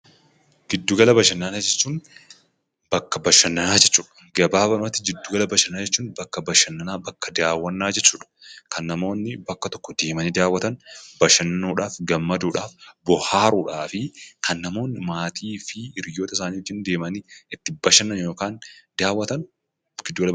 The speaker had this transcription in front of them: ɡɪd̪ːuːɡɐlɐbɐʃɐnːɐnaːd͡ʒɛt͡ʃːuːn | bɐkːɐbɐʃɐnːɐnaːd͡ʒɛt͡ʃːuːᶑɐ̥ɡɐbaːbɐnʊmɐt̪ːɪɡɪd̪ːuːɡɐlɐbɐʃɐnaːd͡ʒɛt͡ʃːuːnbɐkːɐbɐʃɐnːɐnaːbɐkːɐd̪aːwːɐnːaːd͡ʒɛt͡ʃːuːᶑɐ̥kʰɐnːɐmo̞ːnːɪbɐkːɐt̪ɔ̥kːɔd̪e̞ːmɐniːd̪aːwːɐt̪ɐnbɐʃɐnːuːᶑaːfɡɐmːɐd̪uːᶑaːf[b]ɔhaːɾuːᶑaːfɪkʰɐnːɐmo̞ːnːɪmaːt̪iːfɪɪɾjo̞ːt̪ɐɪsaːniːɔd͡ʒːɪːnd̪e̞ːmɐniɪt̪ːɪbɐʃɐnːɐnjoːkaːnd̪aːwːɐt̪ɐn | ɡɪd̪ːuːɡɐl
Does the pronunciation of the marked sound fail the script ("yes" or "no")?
no